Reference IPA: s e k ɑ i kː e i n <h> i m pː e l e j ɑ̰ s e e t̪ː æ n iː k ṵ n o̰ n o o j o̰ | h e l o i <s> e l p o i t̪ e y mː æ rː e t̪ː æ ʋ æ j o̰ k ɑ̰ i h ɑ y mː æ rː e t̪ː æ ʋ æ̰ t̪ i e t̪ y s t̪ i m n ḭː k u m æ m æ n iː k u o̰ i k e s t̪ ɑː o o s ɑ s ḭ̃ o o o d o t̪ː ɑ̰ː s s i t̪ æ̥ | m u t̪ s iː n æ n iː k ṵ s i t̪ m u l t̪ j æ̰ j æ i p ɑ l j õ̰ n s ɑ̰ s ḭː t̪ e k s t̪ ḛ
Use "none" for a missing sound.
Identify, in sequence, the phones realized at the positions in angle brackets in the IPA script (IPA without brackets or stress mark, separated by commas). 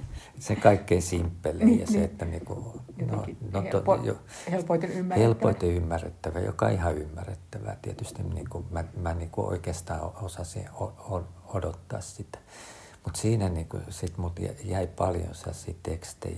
s, h